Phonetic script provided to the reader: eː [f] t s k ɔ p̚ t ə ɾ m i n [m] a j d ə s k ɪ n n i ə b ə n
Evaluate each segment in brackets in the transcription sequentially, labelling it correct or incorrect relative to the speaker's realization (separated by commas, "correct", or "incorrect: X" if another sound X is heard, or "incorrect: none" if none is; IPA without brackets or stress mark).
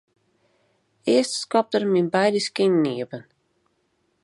incorrect: s, incorrect: b